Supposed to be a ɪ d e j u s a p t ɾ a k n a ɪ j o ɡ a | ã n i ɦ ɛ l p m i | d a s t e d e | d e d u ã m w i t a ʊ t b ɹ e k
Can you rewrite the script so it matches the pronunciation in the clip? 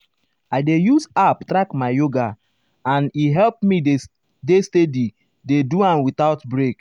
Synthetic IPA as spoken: a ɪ d e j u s a p t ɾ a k m a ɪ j o ɡ a | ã n i ɦ ɛ l p m i | d e s t e d i | d e d u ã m w i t a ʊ t b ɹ e k